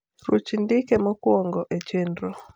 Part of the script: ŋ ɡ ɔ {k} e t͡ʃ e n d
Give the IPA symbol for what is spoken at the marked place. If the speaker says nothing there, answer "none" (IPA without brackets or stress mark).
ʔ